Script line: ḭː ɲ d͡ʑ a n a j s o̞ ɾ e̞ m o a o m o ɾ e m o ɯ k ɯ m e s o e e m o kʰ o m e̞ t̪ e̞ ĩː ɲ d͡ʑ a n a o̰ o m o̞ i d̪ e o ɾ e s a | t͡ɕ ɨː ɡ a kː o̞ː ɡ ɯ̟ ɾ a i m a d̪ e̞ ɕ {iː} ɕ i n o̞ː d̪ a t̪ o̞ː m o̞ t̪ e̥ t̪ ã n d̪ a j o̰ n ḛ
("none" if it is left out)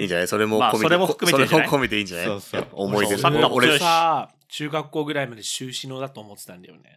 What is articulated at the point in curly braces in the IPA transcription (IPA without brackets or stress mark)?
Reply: ɨː